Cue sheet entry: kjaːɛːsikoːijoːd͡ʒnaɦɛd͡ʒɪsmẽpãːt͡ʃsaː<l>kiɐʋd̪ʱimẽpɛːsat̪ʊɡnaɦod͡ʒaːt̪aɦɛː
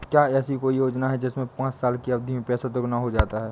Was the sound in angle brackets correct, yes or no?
yes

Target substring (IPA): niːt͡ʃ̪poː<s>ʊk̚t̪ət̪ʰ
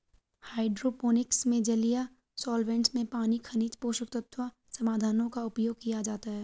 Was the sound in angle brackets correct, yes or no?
no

